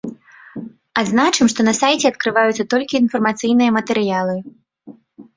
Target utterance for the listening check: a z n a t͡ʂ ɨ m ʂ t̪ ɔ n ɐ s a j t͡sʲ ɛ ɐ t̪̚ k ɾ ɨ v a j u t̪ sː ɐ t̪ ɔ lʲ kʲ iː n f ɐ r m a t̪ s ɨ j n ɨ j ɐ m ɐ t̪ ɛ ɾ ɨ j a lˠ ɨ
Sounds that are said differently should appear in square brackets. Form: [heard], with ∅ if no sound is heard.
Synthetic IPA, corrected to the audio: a z n a t͡ʂ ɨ m ʂ t̪ ɔ n ɐ s a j t͡sʲ ɛ ɐ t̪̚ k ɾ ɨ v a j u t̪ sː ɐ t̪ ɔ lʲ kʲ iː n f ɐ r m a t̪ s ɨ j n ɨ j ɐ m ɐ t̪ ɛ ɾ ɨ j a lˠ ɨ